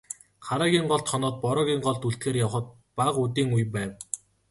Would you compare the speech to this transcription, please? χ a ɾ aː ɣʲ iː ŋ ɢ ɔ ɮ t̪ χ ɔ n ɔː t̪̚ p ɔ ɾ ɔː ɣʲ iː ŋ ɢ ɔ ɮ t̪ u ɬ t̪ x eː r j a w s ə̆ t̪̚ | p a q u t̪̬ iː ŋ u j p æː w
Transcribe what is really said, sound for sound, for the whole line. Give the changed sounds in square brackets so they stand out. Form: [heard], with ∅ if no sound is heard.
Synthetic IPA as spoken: χ a ɾ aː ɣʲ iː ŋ ɢ ɔ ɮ t̪ χ ɔ n ɔː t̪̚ p ɔ ɾ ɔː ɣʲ iː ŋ ɢ ɔ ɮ t̪ u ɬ t̪ x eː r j a w [χ] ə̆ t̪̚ | p a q u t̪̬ iː ŋ u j p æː w